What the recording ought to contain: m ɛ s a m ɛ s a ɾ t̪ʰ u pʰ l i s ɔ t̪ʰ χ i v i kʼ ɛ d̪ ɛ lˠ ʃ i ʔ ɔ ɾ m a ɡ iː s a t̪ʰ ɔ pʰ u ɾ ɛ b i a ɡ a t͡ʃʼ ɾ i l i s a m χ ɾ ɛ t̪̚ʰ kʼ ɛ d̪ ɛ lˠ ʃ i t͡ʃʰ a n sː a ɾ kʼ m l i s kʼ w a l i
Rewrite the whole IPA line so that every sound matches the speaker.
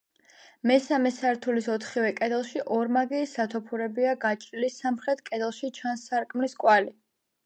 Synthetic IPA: m ɛ s a m ɛ s a ɾ t̪ʰ u l i s ɔ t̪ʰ χ i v ɛ kʼ ɛ d̪ ɛ lˠ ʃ i ʔ ɔ ɾ m a ɡ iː s a t̪ʰ ɔ pʰ u ɾ ɛ b i a ɡ a t͡ʃʼ ɾ i l i s a m χ ɾ ɛ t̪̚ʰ kʼ ɛ d̪ ɛ lˠ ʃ i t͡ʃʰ a n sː a ɾ kʼ m l i s kʼ w a l i